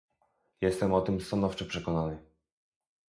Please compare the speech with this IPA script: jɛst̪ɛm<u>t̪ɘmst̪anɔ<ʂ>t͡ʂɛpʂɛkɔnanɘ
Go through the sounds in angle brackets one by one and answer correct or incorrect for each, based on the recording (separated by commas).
incorrect, incorrect